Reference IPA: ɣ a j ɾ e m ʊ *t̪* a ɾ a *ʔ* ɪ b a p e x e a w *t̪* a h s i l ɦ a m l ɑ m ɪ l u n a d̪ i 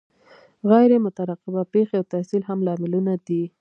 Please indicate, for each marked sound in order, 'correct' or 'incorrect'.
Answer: correct, incorrect: q, correct

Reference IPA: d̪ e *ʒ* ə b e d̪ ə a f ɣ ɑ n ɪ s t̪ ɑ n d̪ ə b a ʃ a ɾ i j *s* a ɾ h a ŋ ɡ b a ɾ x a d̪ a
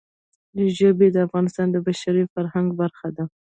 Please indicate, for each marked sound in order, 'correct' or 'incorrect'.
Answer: correct, incorrect: f

